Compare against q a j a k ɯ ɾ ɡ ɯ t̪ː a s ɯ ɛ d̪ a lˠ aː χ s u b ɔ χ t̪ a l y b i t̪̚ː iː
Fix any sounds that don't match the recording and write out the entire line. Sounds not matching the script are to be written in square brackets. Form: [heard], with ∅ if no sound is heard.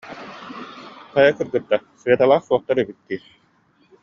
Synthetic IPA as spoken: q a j a k ɯ ɾ ɡ ɯ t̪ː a s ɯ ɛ [t̪] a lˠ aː χ s u [∅] ɔ χ t̪ a [ɾ] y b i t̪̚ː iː

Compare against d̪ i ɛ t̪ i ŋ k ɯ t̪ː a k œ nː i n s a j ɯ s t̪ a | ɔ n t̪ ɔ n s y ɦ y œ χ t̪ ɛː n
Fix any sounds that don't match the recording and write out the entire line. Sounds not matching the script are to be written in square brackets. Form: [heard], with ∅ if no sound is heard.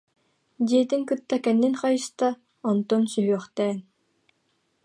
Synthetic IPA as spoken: d̪ i ɛ t̪ i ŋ k ɯ t̪ː a k [ɛ] nː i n [χ] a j ɯ s t̪ a | ɔ n t̪ ɔ n s y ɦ y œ χ t̪ ɛː n

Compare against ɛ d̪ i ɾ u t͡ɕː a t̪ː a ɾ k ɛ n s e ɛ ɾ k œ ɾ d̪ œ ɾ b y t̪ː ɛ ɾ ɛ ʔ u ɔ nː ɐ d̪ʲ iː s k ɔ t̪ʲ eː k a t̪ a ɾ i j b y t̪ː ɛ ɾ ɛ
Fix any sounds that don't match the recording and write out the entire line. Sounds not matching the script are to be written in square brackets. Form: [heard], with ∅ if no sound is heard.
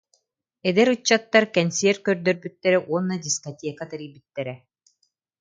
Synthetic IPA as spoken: ɛ d̪ [ɛ] ɾ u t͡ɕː a t̪ː a ɾ k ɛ n s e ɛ ɾ k œ ɾ d̪ œ ɾ b y t̪ː ɛ ɾ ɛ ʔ u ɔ nː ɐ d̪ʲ [i] s k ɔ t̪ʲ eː k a t̪ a ɾ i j b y t̪ː ɛ ɾ ɛ

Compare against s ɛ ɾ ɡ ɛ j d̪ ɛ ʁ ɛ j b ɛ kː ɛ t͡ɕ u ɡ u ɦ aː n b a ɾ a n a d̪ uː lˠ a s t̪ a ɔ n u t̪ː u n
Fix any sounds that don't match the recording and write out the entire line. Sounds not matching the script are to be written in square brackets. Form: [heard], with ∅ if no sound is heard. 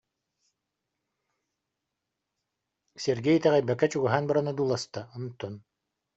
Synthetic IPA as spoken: s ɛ ɾ ɡ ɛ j [t̪] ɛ ʁ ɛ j b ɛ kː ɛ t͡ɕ u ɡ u ɦ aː n b a ɾ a n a d̪ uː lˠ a s t̪ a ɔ n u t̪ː [ɔ] n

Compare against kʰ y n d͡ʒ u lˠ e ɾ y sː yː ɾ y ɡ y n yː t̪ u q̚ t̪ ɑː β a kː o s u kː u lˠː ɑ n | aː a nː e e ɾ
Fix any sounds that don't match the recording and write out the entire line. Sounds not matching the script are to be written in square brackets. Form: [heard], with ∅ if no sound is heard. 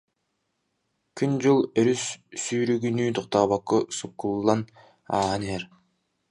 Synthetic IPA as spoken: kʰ y n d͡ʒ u lˠ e ɾ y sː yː ɾ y ɡ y n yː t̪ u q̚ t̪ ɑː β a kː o s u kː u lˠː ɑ n | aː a [n] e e ɾ

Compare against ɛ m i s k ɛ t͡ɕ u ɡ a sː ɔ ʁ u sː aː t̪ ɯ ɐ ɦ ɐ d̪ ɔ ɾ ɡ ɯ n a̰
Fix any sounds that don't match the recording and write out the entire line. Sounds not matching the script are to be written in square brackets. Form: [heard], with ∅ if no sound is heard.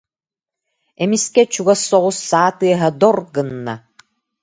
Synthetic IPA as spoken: ɛ m i s k ɛ t͡ɕ u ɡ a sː ɔ ʁ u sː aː t̪ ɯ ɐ ɦ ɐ d̪ ɔ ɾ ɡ ɯ [nː] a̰

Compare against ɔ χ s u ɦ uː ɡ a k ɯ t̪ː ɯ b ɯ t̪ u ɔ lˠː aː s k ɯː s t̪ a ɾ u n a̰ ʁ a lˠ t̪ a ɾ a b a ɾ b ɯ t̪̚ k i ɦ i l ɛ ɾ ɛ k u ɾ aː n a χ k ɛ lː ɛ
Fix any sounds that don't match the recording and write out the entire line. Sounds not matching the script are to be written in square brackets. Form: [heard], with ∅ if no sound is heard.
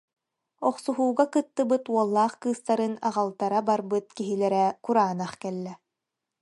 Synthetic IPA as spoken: ɔ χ s u ɦ uː ɡ a k ɯ t̪ː ɯ b ɯ t̪ u ɔ lˠː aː [χ] k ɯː s t̪ a ɾ [ɯ] n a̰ ʁ a lˠ t̪ a ɾ a b a ɾ b ɯ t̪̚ k i ɦ i l ɛ ɾ ɛ k u ɾ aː n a χ k ɛ lː ɛ

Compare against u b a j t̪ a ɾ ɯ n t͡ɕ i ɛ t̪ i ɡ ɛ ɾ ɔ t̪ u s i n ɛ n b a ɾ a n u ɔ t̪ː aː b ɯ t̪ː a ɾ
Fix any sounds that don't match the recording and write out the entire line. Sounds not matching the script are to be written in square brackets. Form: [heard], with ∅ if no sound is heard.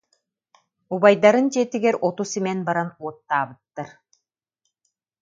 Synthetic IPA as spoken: u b a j [d̪] a ɾ ɯ n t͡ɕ i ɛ t̪ i ɡ ɛ ɾ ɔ t̪ u s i [m] ɛ n b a ɾ a n u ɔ t̪ː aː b ɯ t̪ː a ɾ

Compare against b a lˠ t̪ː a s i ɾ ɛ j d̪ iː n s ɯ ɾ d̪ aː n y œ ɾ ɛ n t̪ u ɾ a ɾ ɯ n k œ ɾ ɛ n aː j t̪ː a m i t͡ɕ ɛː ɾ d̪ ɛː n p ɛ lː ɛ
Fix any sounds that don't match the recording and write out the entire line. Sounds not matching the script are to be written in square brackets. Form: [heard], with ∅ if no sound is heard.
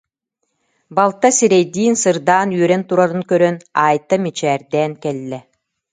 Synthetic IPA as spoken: b a lˠ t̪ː a s i ɾ ɛ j d̪ iː n s ɯ ɾ d̪ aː n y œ ɾ ɛ n t̪ u ɾ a ɾ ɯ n k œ ɾ [œ] n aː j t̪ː a m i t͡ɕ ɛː ɾ d̪ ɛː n [k] ɛ lː ɛ

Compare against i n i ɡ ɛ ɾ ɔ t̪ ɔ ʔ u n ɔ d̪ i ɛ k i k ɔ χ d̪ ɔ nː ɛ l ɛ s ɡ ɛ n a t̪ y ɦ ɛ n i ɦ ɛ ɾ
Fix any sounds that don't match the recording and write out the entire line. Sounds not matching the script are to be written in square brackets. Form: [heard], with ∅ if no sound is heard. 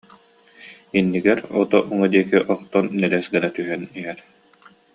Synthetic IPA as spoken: i [nː] i ɡ ɛ ɾ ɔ t̪ ɔ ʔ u [ŋ] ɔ d̪ i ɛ k i [ʔ] ɔ χ [t̪] ɔ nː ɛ l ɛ s ɡ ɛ n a t̪ y ɦ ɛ n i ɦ ɛ ɾ

